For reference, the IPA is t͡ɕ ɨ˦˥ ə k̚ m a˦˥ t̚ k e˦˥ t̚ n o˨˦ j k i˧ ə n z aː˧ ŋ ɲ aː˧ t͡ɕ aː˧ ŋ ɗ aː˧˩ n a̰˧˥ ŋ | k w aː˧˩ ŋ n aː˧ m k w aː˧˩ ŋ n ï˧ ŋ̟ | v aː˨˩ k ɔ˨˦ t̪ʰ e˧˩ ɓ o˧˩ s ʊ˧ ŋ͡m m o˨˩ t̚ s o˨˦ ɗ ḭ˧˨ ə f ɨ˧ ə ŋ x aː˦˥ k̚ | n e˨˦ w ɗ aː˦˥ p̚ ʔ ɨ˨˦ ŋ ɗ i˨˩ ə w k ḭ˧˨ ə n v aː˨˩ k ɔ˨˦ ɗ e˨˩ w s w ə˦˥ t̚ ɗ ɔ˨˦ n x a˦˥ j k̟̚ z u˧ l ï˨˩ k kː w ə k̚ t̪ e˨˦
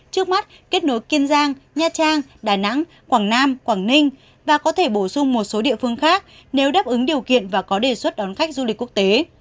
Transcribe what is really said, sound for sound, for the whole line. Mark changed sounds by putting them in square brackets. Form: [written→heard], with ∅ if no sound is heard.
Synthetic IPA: t͡ɕ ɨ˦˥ ə k̚ m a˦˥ t̚ k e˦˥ t̚ n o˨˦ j k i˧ ə n z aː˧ ŋ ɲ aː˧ t͡ɕ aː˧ ŋ ɗ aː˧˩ n a̰˧˥ ŋ | k w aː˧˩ ŋ n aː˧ m k w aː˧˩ ŋ n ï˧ ŋ̟ | v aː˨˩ k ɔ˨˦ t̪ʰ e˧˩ ɓ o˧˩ s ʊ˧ ŋ͡m m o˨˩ t̚ s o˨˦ ɗ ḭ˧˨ ə f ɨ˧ ə ŋ x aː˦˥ k̚ | n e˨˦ w ɗ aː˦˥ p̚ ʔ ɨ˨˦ ŋ ɗ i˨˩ ə w k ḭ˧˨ ə n v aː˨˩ k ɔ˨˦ ɗ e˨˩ [w→∅] s w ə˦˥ t̚ ɗ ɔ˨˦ n x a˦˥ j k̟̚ z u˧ l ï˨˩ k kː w ə k̚ t̪ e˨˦